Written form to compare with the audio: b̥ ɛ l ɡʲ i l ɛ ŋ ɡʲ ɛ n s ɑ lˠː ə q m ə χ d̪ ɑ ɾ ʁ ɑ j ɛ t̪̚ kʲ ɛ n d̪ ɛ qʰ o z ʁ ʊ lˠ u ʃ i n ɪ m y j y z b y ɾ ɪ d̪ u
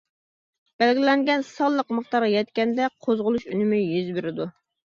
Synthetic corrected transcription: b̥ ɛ l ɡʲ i l ɛ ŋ ɡʲ ɛ n s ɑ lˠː ə q m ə χ t̪ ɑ ɾ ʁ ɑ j ɛ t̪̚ kʲ ɛ n d̪ ɛ qʰ o z ʁ ʊ lˠ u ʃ y n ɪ m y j y z b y ɾ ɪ d̪ u